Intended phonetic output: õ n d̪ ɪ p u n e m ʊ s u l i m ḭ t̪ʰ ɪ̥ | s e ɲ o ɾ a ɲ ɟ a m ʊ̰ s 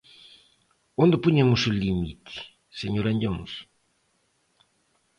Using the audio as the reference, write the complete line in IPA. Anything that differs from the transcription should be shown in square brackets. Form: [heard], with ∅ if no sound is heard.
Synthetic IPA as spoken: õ n d̪ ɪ p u [ɲ] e m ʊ s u l i m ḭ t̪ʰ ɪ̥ | s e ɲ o ɾ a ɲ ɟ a m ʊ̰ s